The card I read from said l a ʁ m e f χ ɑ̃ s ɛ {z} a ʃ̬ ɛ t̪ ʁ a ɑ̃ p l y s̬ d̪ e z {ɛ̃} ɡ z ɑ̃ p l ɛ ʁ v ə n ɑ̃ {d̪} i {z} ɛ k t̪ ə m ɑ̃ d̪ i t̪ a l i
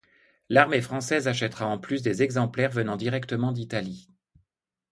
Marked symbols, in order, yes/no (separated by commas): yes, no, yes, no